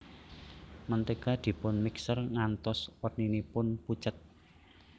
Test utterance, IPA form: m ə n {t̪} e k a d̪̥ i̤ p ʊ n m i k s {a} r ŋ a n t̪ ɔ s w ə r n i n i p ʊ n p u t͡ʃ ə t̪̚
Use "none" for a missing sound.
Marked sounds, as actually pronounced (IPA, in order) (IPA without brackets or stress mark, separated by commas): t̪, ə